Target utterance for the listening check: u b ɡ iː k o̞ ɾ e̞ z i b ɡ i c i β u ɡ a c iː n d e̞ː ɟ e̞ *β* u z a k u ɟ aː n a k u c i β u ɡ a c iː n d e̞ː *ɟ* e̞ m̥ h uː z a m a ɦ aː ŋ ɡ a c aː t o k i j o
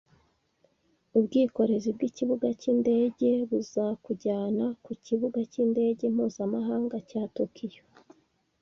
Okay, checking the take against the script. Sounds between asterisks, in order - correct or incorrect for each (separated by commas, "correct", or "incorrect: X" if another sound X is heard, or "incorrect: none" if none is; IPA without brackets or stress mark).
correct, correct